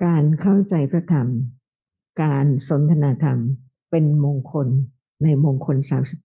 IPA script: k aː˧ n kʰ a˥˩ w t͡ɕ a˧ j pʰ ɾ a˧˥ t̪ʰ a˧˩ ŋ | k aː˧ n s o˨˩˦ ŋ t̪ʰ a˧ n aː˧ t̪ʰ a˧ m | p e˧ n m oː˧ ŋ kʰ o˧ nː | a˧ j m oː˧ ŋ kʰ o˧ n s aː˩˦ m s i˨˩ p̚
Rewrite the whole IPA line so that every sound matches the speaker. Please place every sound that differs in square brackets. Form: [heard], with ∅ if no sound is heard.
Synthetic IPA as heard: k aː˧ n kʰ a˥˩ w t͡ɕ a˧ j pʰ ɾ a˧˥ t̪ʰ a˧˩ [m] | k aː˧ n s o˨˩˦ [n] t̪ʰ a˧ n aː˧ t̪ʰ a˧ m | p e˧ n m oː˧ ŋ kʰ o˧ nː | a˧ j m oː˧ ŋ kʰ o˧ n s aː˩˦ m s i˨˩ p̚